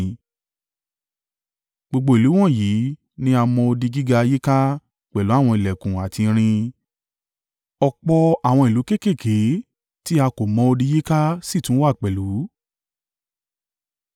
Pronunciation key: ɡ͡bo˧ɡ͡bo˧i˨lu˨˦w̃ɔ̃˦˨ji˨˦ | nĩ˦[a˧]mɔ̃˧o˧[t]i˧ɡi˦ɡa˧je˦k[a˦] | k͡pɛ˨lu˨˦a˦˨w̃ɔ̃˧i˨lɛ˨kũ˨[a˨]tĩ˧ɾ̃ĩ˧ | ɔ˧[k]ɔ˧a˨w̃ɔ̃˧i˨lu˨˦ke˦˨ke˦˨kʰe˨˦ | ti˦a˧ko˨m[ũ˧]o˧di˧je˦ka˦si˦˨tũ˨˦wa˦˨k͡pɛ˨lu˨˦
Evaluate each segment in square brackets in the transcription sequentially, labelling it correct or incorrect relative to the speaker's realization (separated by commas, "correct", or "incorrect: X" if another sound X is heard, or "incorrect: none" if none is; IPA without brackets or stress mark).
correct, incorrect: d, correct, correct, incorrect: k͡p, incorrect: ɔ̃˧